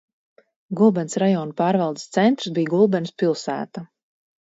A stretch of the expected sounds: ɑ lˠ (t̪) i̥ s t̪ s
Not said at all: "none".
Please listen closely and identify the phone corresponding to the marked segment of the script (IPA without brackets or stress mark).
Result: d̪